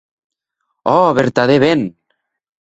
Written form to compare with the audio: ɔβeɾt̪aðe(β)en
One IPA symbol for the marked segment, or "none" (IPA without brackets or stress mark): β